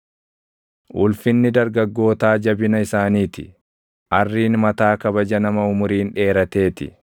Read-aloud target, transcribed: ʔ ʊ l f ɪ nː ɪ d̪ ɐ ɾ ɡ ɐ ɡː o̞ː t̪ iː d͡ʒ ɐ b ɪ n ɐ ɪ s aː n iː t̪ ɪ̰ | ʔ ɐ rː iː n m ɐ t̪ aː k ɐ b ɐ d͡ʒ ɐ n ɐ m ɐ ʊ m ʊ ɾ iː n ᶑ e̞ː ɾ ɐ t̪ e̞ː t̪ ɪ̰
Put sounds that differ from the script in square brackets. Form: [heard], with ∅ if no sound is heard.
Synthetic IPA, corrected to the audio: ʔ ʊ l f ɪ nː ɪ d̪ ɐ ɾ ɡ ɐ ɡː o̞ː t̪ [aː] d͡ʒ ɐ b ɪ n ɐ ɪ s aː n iː t̪ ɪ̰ | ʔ ɐ rː iː n m ɐ t̪ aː k ɐ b ɐ d͡ʒ ɐ n ɐ m ɐ ʊ m ʊ ɾ iː n ᶑ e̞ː ɾ ɐ t̪ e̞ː t̪ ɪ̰